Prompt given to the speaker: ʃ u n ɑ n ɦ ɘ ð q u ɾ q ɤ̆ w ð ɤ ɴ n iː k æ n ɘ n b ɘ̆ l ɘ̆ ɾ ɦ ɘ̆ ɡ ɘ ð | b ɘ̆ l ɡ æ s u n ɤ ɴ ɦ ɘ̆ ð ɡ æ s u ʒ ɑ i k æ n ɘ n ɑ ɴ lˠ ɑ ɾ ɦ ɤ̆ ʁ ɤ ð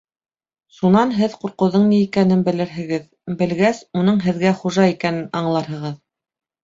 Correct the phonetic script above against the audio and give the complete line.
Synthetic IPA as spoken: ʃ u n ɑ n ɦ ɘ ð q u ɾ q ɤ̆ w ð ɤ ɴ n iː k æ n ɘ n b ɘ̆ l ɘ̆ ɾ ɦ ɘ̆ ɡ ɘ ð | b ɘ̆ l ɡ æ s u n ɤ ɴ ɦ ɘ̆ ð ɡ æ χ u ʒ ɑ i k æ n ɘ n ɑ ɴ lˠ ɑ ɾ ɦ ɤ̆ ʁ ɤ ð